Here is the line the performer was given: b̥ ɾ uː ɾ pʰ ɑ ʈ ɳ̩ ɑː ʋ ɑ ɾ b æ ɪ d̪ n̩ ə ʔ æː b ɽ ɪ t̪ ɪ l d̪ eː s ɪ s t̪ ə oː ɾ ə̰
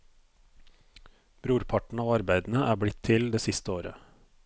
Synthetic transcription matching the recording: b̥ ɾ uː ɾ pʰ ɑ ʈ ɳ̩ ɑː ʋ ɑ ɾ b æ ɪ d̪ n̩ ə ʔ æː b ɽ ɪ t̪ʰ ɪ l d̪ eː s ɪ s t̪ ə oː ɾ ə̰